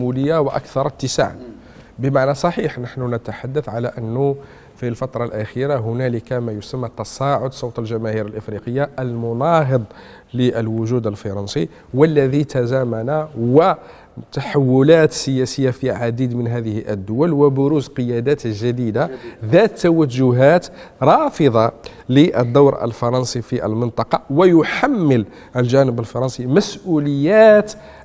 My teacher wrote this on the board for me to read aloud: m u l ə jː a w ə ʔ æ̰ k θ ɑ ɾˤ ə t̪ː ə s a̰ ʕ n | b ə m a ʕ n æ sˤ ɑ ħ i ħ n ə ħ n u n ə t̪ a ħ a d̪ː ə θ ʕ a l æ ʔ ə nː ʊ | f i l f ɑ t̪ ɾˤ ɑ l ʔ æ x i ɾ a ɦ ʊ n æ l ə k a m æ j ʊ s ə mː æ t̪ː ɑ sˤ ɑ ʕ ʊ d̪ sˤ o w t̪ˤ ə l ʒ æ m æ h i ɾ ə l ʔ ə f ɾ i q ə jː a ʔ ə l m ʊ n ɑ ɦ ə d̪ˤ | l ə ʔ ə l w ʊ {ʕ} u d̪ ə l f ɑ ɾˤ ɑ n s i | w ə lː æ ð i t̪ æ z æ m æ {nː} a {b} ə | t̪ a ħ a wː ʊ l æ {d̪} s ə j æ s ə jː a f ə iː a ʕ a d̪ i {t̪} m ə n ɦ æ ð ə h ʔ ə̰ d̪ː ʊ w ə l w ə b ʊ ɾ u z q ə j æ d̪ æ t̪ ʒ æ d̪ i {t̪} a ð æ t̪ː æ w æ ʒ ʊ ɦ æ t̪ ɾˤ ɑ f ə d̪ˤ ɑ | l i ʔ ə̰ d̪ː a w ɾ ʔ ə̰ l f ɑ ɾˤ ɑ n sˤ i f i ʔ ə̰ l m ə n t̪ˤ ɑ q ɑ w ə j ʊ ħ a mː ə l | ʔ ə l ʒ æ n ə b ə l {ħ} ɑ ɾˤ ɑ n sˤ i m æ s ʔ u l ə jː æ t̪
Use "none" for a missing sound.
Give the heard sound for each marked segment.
ʒ, n, w, t̪, d̪, d̪, f

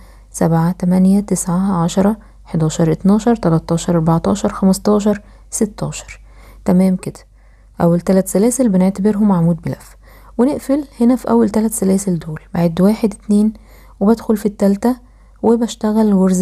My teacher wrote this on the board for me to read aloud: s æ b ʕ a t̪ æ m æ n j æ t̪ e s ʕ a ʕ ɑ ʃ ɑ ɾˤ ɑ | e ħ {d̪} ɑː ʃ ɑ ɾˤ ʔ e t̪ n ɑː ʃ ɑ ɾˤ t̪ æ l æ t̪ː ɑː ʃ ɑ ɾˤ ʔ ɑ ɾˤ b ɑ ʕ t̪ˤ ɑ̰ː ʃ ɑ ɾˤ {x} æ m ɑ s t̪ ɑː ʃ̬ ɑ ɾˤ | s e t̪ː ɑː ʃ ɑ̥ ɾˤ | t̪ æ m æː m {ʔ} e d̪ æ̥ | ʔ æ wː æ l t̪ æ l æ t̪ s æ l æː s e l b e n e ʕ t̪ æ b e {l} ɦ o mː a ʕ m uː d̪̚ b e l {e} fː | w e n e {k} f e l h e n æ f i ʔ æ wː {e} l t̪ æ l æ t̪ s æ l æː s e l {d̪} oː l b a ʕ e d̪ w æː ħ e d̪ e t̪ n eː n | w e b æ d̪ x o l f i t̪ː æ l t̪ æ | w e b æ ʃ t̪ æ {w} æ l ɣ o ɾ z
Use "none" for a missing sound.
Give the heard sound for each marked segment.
d̪, x, k, ɾ, æ, ʔ, æ, d̪, ɣ

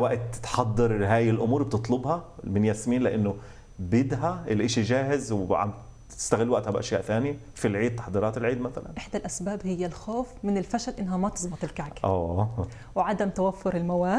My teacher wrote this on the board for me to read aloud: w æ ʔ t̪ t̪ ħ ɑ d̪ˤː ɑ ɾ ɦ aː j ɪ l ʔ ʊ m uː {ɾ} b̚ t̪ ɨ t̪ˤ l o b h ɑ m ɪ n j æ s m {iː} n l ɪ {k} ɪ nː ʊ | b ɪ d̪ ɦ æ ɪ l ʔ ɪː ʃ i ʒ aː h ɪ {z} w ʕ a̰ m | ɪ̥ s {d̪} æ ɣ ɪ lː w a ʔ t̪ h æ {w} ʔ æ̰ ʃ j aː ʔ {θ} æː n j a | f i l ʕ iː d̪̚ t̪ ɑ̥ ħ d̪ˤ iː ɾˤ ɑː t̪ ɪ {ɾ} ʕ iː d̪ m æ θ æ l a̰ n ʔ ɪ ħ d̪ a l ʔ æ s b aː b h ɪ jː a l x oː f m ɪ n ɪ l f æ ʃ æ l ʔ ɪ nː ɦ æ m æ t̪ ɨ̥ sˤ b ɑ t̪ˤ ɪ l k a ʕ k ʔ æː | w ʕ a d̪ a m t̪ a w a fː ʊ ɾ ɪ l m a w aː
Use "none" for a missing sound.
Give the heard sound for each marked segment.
ɾ, iː, ʔ, z, t̪, b, θ, l

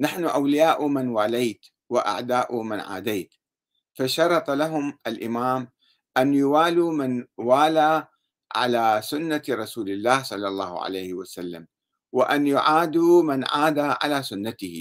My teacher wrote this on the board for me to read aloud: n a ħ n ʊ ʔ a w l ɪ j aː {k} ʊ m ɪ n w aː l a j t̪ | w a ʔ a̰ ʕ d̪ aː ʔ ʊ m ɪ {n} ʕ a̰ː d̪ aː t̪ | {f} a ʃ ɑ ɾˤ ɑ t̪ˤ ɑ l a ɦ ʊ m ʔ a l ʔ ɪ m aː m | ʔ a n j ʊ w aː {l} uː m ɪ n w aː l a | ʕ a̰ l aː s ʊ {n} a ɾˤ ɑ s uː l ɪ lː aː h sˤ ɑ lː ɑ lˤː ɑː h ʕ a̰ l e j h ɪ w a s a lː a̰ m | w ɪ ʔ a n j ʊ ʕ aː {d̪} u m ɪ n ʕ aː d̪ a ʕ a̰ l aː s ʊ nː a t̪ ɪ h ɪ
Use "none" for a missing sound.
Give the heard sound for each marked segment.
ʔ, n, f, l, nː, d̪

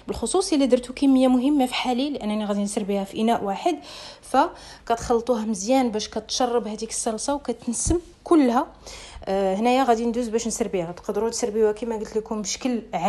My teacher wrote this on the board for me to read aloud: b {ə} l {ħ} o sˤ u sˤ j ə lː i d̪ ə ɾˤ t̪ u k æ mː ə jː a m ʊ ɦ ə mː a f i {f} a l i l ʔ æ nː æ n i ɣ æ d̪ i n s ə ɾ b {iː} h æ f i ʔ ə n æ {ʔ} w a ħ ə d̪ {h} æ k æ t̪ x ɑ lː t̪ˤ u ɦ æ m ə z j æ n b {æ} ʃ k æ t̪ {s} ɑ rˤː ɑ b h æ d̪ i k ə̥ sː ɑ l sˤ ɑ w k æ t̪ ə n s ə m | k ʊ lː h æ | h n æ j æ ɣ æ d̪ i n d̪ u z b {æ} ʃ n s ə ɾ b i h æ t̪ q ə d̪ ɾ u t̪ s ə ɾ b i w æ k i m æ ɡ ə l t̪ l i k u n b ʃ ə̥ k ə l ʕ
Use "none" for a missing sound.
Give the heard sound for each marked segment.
ə, x, ħ, i, ʔ, f, æ, ʃ, æ

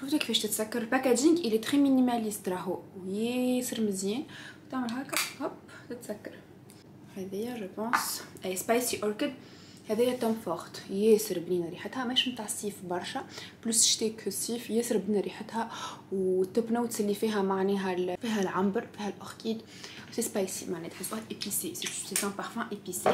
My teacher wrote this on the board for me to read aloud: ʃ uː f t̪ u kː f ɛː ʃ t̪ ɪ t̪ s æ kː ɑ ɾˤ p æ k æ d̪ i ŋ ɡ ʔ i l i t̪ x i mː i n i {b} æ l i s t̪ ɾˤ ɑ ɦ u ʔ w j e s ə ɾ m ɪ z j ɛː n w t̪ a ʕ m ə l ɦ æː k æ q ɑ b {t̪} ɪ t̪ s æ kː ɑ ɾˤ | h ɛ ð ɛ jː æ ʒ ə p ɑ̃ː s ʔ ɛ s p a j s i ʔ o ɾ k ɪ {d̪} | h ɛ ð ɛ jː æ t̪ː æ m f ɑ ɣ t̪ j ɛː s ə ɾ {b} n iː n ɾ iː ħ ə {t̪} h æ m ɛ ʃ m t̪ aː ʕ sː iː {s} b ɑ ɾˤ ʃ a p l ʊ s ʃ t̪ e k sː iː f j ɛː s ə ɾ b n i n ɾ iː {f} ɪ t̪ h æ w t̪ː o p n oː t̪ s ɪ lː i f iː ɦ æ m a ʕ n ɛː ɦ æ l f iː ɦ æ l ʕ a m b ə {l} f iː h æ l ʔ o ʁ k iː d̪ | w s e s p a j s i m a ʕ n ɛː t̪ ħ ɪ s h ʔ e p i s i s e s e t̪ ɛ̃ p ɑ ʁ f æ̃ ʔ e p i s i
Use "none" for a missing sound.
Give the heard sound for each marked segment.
m, t̪, d̪, b, t̪, f, ħ, ɾ

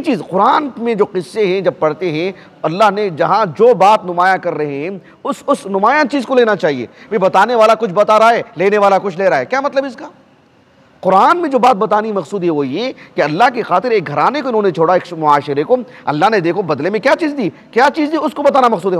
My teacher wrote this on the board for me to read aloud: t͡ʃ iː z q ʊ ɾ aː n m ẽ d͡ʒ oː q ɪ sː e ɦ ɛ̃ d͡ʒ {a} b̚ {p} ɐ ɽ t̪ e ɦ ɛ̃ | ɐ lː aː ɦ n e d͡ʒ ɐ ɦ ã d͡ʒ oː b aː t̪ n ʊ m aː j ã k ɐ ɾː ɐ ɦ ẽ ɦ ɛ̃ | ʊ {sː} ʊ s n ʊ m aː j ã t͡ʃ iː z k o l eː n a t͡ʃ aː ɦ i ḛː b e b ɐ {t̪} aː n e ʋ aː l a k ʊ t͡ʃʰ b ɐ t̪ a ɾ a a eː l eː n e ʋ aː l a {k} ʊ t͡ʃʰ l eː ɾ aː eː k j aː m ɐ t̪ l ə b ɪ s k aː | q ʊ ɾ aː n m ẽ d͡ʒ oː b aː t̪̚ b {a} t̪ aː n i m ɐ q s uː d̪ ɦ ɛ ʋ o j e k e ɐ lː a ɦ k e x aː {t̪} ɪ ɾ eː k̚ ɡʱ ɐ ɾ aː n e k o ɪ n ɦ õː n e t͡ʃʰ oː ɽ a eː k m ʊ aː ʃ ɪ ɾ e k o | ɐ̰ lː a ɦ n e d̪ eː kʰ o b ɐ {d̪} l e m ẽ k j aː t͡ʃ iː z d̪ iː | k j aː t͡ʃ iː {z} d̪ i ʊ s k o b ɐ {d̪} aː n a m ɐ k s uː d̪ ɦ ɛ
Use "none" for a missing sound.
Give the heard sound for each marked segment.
ɐ, p, s, t̪, k, ɐ, t̪, d̪, z, t̪

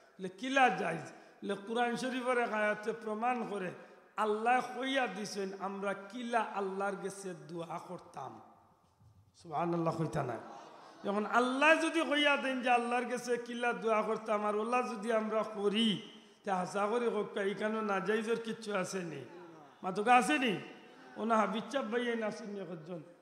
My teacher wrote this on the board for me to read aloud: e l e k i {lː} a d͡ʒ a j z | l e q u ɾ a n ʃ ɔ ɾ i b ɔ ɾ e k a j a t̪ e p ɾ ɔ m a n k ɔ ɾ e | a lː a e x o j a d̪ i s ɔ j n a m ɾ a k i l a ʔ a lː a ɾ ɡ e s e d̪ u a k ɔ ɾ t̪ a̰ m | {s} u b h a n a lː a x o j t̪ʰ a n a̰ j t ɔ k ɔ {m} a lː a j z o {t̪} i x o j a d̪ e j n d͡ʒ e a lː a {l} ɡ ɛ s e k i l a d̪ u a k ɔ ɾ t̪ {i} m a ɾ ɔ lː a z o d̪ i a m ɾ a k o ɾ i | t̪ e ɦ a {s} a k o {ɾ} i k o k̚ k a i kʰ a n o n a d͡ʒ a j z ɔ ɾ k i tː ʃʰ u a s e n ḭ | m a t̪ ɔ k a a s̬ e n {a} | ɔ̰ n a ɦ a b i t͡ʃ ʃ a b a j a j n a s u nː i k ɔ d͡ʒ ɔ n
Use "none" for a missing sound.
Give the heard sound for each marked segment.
l, s, n, d̪, ɾ, a, s, ɾ, i

